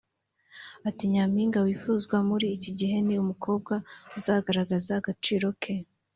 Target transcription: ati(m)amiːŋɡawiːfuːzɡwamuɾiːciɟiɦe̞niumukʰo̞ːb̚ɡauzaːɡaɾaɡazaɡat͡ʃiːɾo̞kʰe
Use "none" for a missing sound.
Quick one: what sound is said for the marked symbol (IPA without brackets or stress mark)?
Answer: ɲ